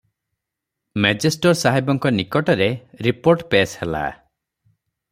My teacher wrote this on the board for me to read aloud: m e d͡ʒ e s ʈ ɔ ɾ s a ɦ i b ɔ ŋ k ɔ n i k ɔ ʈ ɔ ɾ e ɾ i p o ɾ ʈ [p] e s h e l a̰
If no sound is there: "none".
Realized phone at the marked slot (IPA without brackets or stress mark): p